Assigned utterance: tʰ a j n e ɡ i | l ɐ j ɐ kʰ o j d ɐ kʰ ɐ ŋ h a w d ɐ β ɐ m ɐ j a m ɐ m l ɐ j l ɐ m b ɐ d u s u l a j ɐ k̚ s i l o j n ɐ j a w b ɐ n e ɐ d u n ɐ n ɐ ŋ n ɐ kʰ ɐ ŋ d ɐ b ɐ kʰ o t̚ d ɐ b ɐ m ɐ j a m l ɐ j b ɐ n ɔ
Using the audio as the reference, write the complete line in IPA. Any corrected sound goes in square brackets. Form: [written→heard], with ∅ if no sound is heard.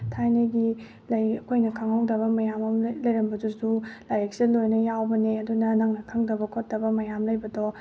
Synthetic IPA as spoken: tʰ a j n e ɡ i | l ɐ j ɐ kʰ o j [d→n] ɐ kʰ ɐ ŋ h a w d ɐ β ɐ m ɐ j a m ɐ m l ɐ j [l→ɾ] ɐ m b ɐ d u s u l a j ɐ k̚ s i l o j n ɐ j a w b ɐ n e ɐ d u n ɐ n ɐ ŋ n ɐ kʰ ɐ ŋ d ɐ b ɐ kʰ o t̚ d ɐ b ɐ m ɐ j a m l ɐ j b ɐ [n→d] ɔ